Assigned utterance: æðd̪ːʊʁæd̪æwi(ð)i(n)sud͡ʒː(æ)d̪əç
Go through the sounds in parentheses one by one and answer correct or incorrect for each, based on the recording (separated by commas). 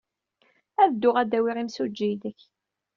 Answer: incorrect, incorrect, incorrect